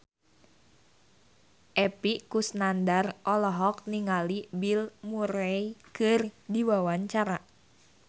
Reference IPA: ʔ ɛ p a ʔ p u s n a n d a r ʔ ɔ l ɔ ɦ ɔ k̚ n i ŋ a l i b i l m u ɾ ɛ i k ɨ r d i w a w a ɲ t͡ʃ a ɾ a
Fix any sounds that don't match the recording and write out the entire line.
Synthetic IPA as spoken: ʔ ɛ p i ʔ k u s n a n d a r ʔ ɔ l ɔ ɦ ɔ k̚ n i ŋ a l i b i l m u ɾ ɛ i k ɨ r d i w a w a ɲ t͡ʃ a ɾ a

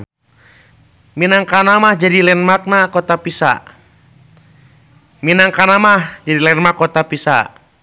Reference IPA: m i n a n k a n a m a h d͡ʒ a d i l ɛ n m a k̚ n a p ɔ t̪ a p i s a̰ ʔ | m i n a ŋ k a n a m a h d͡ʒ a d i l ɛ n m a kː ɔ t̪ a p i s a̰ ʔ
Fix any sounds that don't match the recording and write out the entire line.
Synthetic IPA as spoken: m i n a ŋ k a n a m a h d͡ʒ a d i l ɛ n m a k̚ n a k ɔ t̪ a p i s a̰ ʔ | m i n a ŋ k a n a m a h d͡ʒ a d i l ɛ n m a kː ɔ t̪ a p i s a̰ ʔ

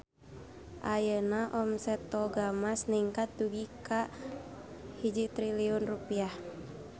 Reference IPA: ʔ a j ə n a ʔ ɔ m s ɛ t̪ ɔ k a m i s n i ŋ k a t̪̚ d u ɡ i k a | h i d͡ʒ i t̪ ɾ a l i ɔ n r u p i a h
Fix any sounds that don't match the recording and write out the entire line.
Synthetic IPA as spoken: ʔ a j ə n a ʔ ɔ m s ɛ t̪ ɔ ɡ a m a s n i ŋ k a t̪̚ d u ɡ i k a | h i d͡ʒ i t̪ ɾ i l i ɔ n r u p i a h

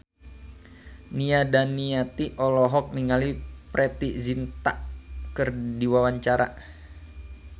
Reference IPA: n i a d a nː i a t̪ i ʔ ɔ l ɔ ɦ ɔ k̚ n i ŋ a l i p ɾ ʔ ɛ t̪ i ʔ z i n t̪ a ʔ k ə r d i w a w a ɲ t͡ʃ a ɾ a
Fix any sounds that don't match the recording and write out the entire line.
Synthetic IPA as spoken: n i a d a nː i a t̪ i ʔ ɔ l ɔ ɦ ɔ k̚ n i ŋ a l i p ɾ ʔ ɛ t̪ i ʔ z i n t̪ a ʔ k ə r d i w a w a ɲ t͡ʃ a ɾ a

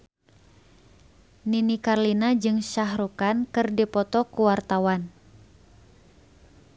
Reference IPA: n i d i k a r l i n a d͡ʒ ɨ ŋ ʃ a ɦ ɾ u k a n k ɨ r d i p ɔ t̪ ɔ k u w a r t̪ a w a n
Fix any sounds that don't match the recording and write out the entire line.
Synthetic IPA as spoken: n i n i k a r l i n a d͡ʒ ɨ ŋ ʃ a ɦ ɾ u k a n k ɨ r d i p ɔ t̪ ɔ k u w a r t̪ a w a n

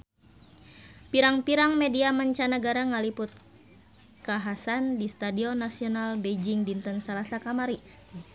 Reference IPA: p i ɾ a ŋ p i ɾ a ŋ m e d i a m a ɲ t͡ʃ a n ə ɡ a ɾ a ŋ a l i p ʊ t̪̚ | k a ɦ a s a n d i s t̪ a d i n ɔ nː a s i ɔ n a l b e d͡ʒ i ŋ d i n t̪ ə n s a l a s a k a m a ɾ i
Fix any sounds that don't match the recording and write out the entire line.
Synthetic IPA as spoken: p i ɾ a ŋ p i ɾ a ŋ m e d i a m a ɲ t͡ʃ a n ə ɡ a ɾ a ŋ a l i p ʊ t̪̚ | k a ɦ a s a n d i s t̪ a d i ɔ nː a s i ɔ n a l b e d͡ʒ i ŋ d i n t̪ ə n s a l a s a k a m a ɾ i

